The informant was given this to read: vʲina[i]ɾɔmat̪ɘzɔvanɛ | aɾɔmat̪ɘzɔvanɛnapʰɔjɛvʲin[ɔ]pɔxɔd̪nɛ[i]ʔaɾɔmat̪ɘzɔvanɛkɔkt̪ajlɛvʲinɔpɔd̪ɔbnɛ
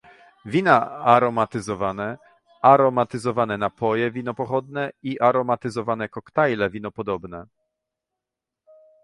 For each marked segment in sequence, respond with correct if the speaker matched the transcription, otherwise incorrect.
incorrect: a, correct, correct

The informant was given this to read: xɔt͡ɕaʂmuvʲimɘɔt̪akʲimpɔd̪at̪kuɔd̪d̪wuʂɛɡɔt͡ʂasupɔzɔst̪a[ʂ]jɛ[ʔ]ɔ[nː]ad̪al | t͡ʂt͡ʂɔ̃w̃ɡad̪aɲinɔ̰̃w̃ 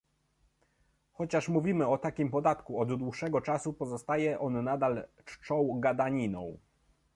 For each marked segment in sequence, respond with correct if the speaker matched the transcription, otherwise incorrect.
incorrect: none, correct, correct

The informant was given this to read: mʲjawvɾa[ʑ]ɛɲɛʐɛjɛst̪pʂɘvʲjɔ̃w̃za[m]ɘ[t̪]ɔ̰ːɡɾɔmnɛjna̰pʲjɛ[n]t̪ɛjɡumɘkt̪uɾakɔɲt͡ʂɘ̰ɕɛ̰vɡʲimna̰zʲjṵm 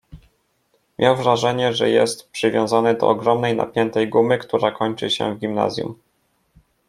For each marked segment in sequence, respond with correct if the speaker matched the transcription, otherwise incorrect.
incorrect: ʐ, incorrect: n, incorrect: d̪, correct

